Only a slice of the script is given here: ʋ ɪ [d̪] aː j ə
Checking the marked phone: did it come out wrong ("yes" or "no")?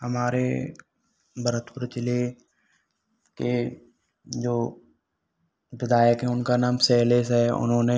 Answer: no